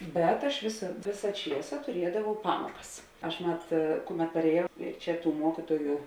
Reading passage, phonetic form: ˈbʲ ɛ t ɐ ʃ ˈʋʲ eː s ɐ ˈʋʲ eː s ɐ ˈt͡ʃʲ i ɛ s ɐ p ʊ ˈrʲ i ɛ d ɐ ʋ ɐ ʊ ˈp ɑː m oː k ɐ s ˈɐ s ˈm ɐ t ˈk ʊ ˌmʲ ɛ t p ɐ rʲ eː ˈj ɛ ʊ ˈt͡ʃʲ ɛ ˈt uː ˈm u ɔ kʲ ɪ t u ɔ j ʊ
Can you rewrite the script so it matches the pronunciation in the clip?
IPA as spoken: ˈbʲ ɛ t ɐ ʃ ˈʋʲ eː s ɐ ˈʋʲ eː s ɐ ˈt͡ʃʲ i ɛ s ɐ t ʊ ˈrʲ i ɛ d ɐ ʋ ɐ ʊ ˈp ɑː m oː k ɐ s ˈɐ ʃ ˈm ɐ t ˈk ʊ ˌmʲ ɛ t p ɐ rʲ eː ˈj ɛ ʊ ˈt͡ʃʲ ɛ ˈt uː ˈm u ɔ kʲ ɪ t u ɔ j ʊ